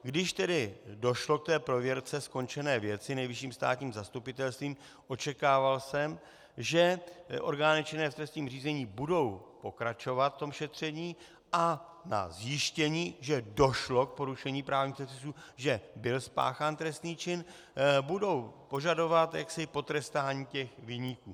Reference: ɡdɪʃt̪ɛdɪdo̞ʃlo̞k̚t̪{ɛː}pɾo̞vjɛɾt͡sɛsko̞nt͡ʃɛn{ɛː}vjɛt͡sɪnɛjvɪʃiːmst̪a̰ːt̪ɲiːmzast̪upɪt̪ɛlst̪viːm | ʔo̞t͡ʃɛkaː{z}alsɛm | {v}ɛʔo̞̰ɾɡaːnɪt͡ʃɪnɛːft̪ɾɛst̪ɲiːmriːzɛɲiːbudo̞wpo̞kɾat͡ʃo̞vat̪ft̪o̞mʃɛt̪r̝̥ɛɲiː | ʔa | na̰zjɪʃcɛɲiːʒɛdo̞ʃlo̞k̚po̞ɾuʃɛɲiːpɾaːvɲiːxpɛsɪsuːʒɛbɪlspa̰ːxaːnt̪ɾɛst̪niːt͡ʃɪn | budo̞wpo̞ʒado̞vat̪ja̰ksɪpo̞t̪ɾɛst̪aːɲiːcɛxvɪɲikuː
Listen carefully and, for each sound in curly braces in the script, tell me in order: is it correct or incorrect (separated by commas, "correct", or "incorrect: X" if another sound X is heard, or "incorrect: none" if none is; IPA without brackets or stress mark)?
correct, correct, incorrect: v, incorrect: ʒ